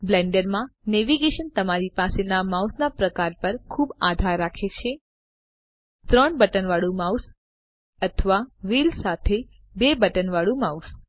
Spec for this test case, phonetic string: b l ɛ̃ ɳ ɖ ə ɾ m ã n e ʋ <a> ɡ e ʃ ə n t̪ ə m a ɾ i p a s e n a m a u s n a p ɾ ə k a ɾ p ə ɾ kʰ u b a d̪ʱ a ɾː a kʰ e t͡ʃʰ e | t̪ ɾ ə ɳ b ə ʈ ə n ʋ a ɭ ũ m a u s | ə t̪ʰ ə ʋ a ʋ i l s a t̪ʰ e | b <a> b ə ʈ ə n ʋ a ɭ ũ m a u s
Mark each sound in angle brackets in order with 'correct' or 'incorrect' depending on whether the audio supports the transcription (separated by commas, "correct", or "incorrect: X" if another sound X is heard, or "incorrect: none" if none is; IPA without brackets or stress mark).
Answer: incorrect: i, incorrect: e